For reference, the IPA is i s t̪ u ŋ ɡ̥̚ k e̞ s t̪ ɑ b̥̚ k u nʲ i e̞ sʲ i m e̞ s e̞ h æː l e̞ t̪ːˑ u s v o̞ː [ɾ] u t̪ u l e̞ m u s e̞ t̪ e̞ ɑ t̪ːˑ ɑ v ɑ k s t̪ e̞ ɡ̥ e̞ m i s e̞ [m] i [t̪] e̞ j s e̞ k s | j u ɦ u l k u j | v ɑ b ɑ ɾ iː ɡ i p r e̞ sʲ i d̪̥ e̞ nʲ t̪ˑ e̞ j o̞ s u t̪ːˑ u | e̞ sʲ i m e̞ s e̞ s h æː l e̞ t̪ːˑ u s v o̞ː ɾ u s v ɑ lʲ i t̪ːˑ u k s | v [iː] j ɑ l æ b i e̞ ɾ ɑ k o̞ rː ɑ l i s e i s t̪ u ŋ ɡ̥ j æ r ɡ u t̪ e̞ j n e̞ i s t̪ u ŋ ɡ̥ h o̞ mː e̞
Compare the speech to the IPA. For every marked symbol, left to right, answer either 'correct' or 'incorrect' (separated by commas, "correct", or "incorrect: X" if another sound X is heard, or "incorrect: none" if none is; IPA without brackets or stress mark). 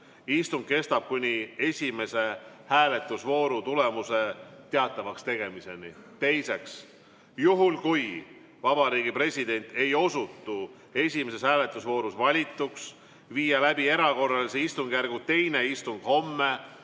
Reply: correct, incorrect: n, correct, correct